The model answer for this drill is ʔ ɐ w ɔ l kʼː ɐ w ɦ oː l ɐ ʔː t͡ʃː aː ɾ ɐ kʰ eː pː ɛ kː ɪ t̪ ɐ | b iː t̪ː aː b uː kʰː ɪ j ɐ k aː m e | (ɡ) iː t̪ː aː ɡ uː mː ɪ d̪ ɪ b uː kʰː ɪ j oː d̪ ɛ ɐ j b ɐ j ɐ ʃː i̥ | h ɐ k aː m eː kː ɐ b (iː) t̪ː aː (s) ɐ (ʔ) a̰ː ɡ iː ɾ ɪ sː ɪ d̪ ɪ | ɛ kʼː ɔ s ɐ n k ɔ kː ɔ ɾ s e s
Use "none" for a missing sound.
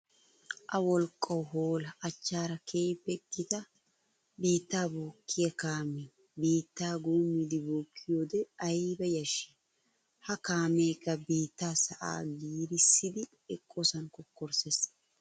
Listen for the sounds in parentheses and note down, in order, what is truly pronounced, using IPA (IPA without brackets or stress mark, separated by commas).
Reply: b, iː, s, ʔ